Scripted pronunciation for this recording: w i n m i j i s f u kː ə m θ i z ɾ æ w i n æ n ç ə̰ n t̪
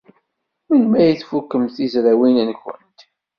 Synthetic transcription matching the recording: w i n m æ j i θ f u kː ə m θ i z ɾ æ w i n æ n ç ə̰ n t̪

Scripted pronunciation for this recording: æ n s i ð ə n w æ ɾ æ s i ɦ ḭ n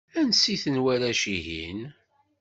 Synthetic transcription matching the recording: æ n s i θ ə n w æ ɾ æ ʃ i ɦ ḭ n

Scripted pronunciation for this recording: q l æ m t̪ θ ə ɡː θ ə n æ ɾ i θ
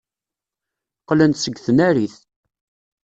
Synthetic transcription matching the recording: q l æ n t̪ s ə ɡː θ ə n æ ɾ i θ

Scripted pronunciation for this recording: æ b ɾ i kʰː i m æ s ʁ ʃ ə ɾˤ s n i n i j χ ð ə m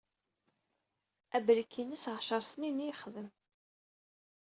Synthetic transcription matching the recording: æ b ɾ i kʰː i n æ s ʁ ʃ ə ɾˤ s n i n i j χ ð ə m

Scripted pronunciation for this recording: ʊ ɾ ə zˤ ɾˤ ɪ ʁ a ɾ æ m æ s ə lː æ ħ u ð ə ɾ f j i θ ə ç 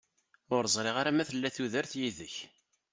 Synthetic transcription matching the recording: ʊ ɾ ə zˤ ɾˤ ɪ ʁ a ɾ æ m æ θ ə lː æ θ u ð ə ɾ θ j i ð ə ç

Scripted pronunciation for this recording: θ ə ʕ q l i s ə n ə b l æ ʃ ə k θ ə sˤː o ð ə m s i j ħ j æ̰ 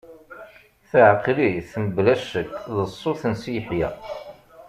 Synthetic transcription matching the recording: θ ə ʕ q l i θ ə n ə b l æ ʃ ə k ð ə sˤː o θ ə n s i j ħ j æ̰

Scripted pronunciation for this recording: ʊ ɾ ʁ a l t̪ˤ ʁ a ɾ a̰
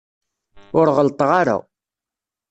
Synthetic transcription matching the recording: ʊ ɾ ʁ ə l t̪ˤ ʁ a ɾ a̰

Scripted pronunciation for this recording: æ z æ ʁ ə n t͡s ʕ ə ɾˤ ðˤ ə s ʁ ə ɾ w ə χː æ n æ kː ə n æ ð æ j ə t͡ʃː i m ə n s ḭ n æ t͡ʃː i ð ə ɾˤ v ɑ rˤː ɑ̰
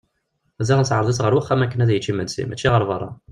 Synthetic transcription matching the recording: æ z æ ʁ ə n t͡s ʕ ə ɾˤ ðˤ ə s ʁ ə ɾ w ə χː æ m æ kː ə n æ ð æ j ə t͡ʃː i m ə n s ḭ m æ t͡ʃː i ʁ ə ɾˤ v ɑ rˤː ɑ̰

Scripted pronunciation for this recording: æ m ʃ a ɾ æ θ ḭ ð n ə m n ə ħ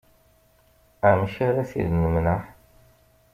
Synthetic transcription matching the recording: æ m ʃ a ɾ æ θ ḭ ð n ə m n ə ħ

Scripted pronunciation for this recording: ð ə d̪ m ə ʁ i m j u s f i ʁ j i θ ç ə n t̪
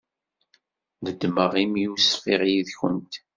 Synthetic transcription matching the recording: ð ə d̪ m ə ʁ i m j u s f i ʁ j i ð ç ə n t̪

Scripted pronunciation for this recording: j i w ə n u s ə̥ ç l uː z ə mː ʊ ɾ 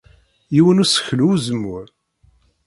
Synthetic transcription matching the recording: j i w ə n u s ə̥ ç l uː z ə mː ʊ ɾ

